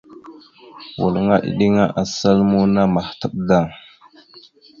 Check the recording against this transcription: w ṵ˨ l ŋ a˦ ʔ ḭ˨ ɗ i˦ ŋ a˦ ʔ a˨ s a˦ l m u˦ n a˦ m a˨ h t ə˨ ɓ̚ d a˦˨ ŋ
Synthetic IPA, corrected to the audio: w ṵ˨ l ŋ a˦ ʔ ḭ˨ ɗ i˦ ŋ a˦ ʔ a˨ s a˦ l m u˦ n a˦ m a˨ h t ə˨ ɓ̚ d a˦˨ ŋ